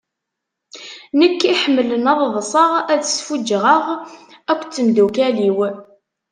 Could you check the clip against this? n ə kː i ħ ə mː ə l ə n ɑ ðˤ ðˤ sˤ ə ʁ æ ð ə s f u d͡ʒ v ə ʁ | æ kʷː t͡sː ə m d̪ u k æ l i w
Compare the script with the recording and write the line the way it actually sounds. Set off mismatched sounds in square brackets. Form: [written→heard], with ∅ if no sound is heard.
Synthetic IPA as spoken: n ə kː i ħ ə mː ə l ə n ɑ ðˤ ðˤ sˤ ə ʁ æ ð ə s f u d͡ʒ [v→ʁ] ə ʁ | æ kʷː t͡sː ə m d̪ u k æ l i w